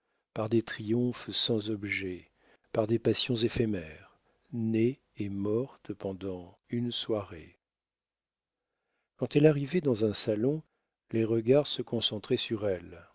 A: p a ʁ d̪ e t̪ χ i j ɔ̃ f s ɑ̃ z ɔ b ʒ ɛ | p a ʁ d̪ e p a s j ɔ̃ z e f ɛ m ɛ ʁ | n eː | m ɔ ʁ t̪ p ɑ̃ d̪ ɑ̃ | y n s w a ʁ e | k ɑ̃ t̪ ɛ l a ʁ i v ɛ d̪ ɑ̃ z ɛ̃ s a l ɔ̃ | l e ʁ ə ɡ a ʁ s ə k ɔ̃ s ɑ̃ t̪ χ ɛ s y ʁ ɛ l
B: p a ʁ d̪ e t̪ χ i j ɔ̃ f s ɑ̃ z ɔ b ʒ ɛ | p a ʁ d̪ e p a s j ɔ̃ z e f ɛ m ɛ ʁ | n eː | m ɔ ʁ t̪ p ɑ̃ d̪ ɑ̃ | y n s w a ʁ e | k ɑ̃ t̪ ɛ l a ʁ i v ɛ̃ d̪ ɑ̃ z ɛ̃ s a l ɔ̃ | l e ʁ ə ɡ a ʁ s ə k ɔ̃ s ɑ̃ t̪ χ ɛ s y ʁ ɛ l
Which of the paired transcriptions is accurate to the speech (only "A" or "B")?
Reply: A